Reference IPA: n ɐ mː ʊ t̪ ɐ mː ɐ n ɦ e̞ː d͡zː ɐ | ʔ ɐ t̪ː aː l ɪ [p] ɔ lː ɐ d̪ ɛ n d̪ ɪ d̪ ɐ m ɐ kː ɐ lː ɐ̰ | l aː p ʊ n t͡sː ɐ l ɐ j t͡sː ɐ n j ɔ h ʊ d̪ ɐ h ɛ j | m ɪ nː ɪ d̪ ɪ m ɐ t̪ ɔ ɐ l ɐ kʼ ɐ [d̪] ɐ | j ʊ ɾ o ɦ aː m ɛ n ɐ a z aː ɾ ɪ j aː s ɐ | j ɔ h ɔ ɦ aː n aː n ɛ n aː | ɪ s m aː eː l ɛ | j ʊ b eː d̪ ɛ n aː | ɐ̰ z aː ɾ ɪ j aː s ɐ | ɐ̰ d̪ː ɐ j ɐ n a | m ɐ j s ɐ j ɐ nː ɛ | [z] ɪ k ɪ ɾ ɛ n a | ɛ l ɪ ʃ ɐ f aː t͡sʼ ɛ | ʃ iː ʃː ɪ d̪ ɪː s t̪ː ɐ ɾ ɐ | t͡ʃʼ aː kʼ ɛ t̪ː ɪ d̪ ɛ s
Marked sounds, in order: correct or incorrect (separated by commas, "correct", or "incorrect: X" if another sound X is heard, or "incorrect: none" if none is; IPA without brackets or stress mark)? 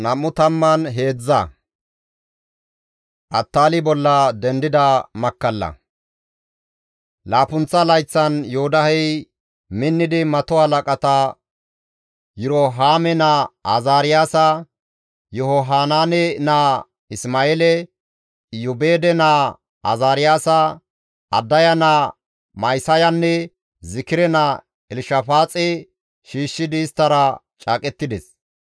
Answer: incorrect: b, incorrect: t̪, correct